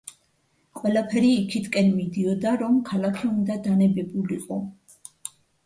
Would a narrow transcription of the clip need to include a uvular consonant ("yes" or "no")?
yes